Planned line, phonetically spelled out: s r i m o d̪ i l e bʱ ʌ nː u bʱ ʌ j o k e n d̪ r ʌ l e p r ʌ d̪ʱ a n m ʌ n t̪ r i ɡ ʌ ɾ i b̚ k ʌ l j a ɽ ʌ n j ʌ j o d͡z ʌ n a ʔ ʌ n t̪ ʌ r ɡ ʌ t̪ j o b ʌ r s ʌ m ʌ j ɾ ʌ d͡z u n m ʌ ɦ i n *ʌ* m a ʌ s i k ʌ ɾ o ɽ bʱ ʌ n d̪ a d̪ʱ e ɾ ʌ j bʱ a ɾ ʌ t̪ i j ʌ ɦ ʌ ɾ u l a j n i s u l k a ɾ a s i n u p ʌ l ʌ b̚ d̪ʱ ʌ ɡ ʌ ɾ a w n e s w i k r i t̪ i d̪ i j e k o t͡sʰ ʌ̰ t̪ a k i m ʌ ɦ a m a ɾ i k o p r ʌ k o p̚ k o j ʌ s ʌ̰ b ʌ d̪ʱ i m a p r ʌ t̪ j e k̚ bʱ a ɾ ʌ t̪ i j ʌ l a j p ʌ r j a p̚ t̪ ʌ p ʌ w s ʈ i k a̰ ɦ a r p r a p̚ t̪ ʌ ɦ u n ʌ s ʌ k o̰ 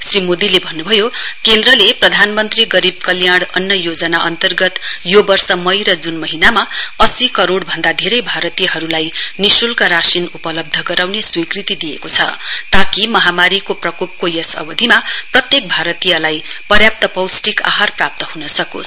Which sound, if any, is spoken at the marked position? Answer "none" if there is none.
a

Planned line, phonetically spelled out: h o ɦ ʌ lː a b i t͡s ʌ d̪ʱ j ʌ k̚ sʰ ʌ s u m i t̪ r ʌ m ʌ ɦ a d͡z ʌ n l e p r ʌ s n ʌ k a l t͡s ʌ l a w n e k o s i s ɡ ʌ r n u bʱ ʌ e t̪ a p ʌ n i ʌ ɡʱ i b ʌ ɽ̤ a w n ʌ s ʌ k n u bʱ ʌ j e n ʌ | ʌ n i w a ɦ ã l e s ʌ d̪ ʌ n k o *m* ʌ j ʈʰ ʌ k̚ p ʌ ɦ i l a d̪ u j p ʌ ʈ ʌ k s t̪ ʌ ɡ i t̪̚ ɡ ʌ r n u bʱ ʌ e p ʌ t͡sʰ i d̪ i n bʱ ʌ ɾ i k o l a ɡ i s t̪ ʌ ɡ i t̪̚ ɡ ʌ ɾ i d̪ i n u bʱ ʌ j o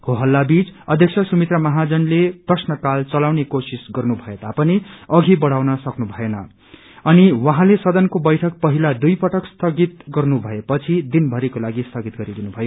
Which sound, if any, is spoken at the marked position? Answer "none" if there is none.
b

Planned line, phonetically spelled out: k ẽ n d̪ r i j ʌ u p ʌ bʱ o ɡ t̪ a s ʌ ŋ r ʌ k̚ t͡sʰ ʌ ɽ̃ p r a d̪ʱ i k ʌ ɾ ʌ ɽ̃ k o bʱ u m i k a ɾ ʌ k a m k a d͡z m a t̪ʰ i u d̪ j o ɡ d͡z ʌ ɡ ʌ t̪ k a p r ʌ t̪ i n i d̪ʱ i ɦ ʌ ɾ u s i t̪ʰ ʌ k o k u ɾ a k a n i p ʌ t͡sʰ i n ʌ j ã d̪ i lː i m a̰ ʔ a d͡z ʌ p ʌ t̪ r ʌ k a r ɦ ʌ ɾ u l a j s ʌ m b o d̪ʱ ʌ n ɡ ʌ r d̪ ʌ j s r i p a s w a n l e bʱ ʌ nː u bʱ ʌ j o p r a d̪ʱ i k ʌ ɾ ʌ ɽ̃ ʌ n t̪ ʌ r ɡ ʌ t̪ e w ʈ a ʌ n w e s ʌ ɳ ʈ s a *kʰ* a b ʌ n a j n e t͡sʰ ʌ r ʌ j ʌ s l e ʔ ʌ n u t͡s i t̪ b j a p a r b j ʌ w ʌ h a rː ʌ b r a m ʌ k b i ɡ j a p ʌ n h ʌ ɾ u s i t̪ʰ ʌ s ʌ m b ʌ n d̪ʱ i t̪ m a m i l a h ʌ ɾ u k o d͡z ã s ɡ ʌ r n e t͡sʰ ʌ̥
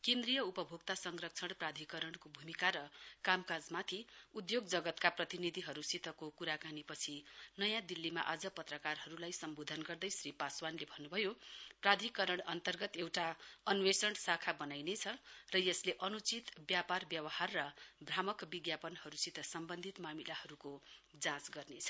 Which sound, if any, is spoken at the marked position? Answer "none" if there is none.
kʰ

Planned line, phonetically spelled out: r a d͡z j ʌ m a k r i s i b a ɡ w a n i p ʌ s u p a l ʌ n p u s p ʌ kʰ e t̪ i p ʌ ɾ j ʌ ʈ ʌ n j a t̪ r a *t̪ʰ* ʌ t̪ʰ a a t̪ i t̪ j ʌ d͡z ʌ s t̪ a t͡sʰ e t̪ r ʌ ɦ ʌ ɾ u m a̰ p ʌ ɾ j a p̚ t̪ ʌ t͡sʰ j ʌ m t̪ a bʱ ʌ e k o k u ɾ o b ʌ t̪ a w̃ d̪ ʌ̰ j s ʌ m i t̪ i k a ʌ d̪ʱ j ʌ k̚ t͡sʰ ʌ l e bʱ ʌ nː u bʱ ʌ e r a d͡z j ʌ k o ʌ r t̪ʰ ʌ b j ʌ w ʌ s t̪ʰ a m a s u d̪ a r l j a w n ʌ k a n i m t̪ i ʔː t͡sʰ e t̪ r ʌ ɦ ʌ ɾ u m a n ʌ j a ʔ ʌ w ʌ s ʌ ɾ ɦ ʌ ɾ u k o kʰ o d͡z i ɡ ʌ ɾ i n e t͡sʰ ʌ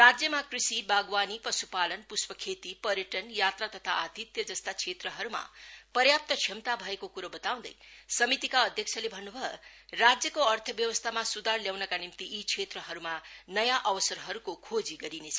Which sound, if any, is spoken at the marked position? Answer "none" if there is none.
t̪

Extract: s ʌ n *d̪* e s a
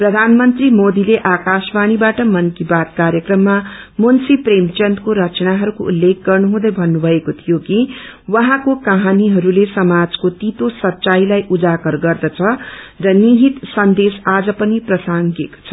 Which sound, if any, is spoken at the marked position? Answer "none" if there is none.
d̪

